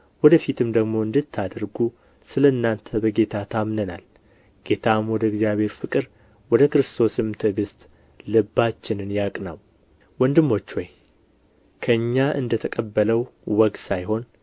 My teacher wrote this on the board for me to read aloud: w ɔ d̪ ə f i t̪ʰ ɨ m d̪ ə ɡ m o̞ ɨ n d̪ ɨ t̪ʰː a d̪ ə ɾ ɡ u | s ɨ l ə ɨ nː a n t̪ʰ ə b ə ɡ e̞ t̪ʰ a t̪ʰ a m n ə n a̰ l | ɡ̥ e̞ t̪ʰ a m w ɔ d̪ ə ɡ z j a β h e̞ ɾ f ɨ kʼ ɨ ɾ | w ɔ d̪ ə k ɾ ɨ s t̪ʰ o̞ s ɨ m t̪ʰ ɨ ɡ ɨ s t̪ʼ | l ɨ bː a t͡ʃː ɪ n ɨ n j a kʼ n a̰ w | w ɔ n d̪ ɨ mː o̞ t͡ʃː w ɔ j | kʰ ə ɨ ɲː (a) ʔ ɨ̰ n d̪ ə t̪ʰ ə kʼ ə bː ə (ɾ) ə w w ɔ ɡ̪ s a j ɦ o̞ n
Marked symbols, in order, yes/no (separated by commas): yes, no